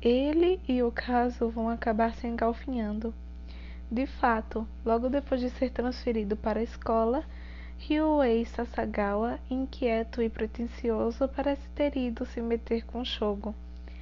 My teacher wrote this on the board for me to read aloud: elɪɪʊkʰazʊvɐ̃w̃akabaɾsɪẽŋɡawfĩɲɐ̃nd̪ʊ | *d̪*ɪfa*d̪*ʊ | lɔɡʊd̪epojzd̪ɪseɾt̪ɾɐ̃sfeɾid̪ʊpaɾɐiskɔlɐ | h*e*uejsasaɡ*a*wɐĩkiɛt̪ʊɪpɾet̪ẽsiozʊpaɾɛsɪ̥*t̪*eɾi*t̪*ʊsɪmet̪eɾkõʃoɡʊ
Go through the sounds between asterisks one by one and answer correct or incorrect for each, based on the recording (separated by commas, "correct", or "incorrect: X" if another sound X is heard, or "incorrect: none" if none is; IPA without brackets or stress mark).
correct, incorrect: t̪, incorrect: i, correct, correct, incorrect: d̪